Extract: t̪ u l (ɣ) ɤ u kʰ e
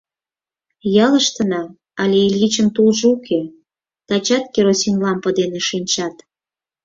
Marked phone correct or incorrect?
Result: incorrect: ʒ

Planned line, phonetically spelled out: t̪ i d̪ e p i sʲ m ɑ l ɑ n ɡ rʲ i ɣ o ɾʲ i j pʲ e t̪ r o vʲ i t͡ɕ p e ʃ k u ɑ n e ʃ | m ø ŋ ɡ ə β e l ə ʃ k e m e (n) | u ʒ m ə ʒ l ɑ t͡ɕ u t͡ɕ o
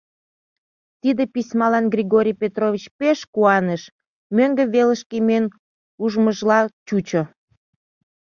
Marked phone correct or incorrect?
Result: correct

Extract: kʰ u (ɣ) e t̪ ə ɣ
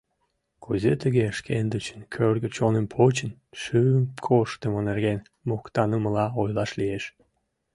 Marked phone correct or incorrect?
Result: incorrect: z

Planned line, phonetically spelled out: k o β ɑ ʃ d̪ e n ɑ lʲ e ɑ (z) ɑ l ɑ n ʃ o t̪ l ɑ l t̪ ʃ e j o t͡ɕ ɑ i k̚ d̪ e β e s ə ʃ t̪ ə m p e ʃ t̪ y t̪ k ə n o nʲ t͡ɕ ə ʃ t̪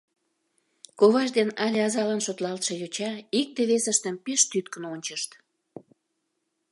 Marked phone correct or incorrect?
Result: correct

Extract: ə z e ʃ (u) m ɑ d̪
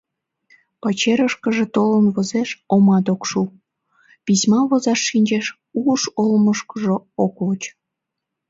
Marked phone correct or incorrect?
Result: incorrect: o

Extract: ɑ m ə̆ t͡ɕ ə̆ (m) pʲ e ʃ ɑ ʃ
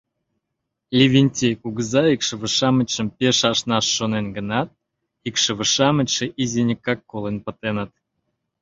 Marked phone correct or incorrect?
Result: correct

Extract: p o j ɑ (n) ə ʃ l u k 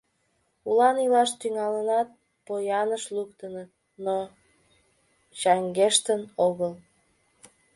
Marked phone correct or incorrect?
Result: correct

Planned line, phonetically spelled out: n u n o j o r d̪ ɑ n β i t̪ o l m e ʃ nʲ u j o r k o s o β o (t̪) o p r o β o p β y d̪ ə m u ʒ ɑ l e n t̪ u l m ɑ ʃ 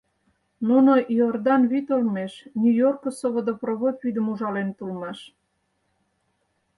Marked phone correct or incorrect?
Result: incorrect: d̪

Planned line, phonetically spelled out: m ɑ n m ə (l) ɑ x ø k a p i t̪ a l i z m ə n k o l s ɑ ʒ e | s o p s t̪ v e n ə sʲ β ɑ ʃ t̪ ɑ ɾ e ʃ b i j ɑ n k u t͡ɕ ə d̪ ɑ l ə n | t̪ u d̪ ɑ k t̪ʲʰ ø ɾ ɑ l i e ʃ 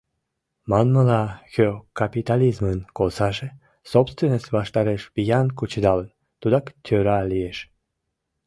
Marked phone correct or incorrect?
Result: correct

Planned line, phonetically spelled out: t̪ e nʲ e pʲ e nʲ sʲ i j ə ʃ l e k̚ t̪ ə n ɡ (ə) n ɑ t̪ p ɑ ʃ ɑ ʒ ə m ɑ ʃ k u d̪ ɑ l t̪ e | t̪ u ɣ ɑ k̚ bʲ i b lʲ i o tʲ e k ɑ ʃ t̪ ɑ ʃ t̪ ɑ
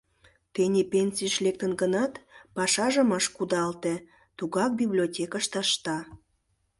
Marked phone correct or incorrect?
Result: correct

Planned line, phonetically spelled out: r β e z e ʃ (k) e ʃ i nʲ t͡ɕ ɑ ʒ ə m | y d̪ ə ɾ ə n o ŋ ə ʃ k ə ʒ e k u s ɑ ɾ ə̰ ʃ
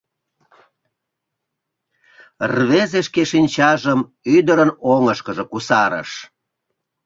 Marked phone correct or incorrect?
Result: correct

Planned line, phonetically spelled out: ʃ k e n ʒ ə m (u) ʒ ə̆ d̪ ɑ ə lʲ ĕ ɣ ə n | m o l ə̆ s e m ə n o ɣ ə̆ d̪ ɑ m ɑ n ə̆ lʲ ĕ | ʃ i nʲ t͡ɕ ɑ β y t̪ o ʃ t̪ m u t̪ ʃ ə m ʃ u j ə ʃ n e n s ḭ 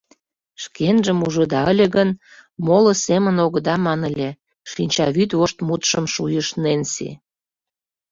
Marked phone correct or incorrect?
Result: correct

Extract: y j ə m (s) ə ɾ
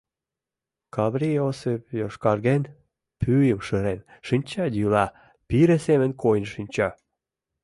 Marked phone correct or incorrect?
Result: incorrect: ʃ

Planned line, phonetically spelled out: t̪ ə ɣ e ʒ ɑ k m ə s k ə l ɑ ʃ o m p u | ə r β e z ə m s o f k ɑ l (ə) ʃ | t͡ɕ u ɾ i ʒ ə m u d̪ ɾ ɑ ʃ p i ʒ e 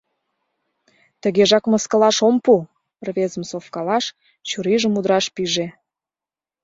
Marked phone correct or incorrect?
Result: incorrect: ɑ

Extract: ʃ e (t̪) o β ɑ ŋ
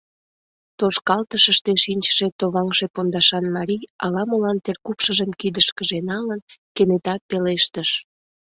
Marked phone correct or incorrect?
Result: correct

